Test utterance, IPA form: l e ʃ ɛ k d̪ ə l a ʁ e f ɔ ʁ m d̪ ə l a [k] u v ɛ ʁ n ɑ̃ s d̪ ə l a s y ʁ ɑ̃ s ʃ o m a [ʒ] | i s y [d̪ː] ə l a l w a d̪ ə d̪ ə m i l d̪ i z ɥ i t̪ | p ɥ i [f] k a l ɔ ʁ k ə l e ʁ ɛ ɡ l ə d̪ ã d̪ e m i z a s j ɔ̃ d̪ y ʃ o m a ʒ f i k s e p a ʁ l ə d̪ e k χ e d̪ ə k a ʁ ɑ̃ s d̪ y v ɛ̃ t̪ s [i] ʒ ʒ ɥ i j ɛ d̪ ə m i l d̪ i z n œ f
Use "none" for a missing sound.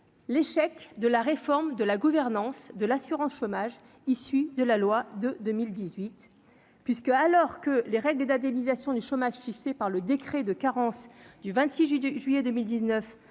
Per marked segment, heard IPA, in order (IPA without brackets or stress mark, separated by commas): ɡ, ʒ, d̪, s, i